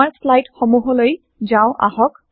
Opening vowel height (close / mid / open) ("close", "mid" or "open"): open